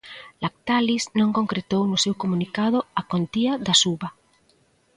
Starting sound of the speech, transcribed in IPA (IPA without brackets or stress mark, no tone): l